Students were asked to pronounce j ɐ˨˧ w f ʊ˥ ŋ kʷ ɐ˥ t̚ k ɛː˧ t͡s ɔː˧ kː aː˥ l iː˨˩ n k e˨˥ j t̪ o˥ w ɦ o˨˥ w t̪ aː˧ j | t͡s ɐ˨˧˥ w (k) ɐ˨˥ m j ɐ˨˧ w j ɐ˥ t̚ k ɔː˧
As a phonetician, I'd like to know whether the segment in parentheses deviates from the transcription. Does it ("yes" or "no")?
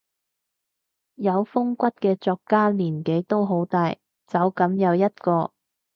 no